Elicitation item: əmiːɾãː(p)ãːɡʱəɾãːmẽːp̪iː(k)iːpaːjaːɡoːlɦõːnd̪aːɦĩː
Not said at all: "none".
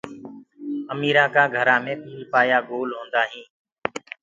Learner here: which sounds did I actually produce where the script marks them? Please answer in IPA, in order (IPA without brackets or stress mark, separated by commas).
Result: k, none